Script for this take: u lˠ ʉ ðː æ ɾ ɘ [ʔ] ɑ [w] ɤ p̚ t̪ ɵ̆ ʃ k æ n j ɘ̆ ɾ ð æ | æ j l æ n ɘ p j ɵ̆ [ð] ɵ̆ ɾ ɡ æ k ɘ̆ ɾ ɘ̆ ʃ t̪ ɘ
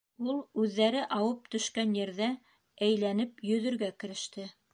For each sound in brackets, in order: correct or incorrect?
correct, correct, correct

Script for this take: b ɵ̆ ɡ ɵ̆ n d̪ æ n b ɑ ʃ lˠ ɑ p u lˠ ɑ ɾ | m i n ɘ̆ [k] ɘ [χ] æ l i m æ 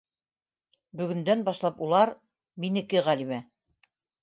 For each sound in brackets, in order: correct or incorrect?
correct, incorrect: ʁ

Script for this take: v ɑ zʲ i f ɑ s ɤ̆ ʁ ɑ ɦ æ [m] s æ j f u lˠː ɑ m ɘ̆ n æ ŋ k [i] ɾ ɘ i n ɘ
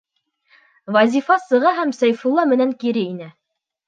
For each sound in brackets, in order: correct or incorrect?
correct, correct

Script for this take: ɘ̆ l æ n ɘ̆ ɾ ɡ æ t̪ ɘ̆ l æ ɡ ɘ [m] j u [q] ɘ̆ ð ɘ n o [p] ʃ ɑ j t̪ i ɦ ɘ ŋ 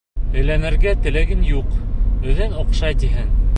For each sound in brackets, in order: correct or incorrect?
incorrect: n, correct, incorrect: q

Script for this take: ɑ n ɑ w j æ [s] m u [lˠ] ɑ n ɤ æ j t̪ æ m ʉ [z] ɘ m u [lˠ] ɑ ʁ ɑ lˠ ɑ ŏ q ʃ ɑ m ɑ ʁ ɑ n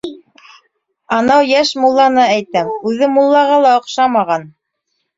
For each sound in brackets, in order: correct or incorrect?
incorrect: ʃ, incorrect: lˠː, incorrect: ð, incorrect: lˠː

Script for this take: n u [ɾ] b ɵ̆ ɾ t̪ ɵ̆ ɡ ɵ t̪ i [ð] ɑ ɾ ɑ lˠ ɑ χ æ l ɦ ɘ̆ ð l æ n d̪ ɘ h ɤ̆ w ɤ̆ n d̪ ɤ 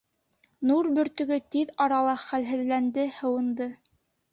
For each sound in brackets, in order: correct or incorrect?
correct, correct

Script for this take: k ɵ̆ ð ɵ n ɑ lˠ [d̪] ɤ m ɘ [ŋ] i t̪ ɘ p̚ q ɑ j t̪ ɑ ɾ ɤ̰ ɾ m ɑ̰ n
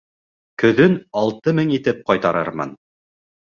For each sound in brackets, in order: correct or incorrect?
incorrect: t̪, correct

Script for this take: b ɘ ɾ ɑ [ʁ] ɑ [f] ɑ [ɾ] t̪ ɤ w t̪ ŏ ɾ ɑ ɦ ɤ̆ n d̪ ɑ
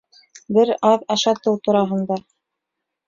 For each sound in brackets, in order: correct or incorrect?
incorrect: ð, incorrect: ʃ, incorrect: none

